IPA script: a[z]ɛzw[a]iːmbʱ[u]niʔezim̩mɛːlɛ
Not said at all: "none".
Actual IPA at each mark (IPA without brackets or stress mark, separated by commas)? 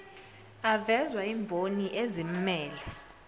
v, a, o